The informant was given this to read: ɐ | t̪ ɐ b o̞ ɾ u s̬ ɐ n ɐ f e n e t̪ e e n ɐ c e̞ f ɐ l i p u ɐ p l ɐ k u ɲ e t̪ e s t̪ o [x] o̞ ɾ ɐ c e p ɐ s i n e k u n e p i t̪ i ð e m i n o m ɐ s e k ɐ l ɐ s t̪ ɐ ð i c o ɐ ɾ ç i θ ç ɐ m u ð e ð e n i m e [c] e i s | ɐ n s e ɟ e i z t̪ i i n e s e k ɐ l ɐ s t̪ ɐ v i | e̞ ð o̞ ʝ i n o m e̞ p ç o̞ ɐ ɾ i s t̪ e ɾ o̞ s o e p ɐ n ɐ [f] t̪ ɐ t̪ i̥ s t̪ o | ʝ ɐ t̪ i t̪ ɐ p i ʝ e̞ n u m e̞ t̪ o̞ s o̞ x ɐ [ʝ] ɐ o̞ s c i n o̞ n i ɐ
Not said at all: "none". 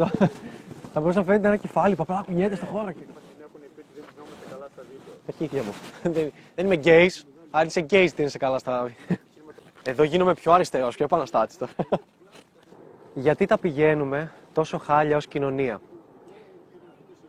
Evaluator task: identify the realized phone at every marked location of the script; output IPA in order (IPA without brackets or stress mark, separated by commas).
x, ɟ, s, ʎ